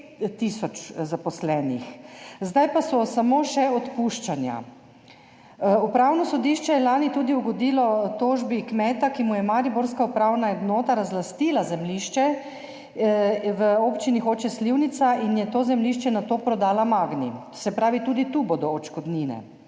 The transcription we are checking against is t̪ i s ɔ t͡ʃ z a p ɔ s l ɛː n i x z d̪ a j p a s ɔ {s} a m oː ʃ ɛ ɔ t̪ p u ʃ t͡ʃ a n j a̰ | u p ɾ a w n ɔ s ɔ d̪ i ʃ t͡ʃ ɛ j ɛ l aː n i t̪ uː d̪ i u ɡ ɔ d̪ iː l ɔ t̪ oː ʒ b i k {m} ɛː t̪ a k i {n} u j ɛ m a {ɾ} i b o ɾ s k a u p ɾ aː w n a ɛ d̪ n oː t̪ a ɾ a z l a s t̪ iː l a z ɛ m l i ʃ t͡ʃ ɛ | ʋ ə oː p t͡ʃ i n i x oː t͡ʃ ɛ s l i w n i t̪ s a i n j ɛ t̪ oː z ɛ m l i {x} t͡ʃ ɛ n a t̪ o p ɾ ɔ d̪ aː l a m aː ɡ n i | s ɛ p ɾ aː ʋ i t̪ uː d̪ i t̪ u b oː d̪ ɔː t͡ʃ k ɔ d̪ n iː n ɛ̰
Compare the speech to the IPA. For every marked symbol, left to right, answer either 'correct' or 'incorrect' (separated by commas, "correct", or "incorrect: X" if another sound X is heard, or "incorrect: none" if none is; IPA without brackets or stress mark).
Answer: correct, correct, incorrect: m, correct, incorrect: ʃ